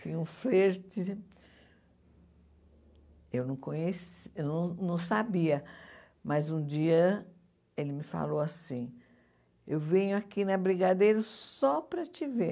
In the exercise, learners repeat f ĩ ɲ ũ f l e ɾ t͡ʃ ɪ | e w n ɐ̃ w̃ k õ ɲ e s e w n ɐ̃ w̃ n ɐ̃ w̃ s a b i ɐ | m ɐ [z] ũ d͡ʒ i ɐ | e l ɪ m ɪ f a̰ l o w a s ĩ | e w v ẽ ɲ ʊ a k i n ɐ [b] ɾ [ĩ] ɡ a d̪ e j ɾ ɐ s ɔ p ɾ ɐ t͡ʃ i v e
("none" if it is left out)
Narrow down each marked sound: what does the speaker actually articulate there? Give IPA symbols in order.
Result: z, b, i

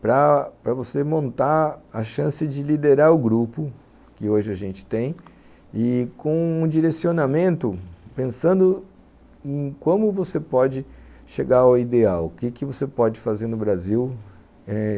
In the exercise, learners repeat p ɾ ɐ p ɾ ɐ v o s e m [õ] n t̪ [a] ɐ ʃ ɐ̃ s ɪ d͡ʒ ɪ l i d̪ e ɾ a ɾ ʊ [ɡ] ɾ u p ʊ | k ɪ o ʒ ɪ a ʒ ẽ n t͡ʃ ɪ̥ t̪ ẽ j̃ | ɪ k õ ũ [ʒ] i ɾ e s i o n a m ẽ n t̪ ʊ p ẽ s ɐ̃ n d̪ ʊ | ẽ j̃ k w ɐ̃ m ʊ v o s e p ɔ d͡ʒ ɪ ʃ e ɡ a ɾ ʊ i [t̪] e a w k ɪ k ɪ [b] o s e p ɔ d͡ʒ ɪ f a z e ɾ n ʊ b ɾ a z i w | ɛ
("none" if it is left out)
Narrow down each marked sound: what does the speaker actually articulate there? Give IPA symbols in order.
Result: õ, a, ɡ, d͡ʒ, d̪, v

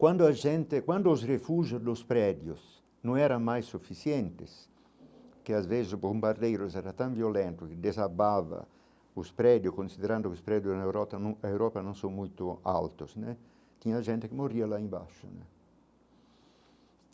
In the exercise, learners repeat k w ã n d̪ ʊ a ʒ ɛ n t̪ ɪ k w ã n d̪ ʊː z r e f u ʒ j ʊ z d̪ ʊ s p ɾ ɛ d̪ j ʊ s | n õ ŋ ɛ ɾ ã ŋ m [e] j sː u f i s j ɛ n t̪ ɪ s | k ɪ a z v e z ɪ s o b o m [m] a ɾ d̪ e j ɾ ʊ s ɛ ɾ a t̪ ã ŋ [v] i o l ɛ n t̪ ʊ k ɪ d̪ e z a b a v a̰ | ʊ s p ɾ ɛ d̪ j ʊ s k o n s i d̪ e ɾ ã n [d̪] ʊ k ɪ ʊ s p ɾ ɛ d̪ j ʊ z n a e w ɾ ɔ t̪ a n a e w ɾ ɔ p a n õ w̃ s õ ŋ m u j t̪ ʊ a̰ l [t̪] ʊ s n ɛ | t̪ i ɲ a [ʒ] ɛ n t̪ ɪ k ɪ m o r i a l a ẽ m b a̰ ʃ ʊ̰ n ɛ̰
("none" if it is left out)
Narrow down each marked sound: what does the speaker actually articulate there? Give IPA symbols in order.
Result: a, b, v, d̪, t̪, ʒ

